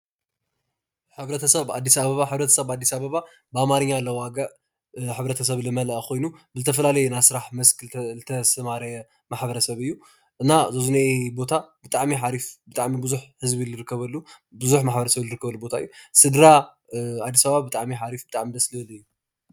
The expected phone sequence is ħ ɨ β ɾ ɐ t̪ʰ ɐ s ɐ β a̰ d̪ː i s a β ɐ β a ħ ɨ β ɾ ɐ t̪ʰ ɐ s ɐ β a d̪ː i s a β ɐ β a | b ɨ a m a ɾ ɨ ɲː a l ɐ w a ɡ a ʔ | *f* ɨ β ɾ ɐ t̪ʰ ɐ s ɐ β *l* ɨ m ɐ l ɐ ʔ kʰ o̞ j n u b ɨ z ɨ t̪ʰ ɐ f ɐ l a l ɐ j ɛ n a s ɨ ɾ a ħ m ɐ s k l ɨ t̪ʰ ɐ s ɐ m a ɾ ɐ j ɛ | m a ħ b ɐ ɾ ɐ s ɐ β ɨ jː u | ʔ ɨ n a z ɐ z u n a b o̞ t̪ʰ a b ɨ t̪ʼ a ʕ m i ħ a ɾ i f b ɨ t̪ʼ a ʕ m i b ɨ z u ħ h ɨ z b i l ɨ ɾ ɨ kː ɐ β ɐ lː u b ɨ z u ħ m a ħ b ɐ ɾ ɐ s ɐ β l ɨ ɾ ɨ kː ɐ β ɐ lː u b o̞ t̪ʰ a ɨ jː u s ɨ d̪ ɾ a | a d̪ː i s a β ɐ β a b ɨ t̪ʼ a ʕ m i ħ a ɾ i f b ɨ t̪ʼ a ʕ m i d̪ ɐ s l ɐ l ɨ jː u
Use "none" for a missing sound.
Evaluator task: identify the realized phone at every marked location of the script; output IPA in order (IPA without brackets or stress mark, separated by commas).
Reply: ħ, l